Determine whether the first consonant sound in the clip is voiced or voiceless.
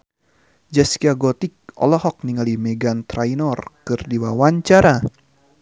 voiced